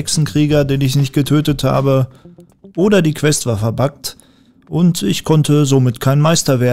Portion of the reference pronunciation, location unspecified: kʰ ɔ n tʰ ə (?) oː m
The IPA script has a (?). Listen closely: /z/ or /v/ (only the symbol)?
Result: z